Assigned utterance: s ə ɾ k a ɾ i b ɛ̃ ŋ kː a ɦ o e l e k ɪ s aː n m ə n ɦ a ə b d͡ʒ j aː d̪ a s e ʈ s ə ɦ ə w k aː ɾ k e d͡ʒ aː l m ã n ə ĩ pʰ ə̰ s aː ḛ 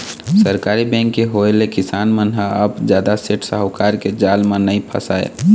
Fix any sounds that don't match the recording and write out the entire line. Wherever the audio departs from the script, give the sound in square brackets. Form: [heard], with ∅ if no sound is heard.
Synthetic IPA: s ə ɾ k a ɾ i b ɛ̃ ŋ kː [e] ɦ o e l e k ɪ s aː n m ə n ɦ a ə b d͡ʒ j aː d̪ a s e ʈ s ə ɦ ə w k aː ɾ k e d͡ʒ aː l m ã n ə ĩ pʰ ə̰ s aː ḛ